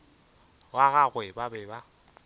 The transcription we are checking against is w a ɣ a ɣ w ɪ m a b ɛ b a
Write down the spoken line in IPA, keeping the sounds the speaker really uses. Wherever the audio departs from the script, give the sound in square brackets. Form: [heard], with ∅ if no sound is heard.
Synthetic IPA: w a ɣ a ɣ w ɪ [b] a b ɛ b a